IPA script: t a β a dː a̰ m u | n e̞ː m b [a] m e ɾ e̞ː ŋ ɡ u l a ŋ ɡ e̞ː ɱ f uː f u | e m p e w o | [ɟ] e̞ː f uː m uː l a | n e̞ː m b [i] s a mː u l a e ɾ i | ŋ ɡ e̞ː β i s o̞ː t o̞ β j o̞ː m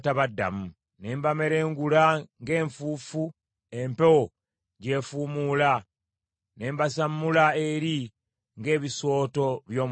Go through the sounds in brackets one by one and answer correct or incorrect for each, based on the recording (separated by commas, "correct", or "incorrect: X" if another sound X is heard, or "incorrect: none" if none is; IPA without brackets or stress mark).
correct, correct, incorrect: a